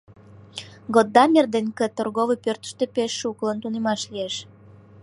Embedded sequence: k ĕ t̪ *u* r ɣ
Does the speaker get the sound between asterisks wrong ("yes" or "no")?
yes